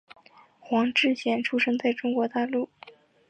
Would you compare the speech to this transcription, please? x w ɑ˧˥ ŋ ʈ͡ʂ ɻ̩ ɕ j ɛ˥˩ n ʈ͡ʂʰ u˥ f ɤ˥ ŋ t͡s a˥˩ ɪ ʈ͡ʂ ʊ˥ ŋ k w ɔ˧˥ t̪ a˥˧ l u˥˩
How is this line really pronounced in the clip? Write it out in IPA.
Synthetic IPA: x w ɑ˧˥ ŋ ʈ͡ʂ ɻ̩ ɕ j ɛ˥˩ n ʈ͡ʂʰ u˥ ʂ ɤ˥ ŋ t͡s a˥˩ ɪ ʈ͡ʂ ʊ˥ ŋ k w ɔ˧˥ t̪ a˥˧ l u˥˩